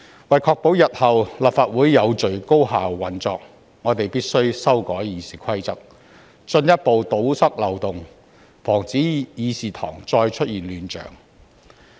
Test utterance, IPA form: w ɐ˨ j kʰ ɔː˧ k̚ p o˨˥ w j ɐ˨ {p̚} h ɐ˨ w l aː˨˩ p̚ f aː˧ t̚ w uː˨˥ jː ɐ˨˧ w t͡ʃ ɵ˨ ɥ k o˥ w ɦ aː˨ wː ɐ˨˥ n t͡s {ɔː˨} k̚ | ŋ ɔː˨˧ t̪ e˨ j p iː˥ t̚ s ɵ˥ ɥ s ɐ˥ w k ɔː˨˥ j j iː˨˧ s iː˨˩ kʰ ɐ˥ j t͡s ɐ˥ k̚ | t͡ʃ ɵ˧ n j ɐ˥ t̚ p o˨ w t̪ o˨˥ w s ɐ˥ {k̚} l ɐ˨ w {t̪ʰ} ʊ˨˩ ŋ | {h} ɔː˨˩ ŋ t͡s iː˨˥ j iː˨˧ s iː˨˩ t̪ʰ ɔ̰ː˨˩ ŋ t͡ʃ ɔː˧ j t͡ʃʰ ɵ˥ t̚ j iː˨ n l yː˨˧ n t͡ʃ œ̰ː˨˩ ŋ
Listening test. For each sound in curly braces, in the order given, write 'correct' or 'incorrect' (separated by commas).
incorrect, correct, correct, incorrect, incorrect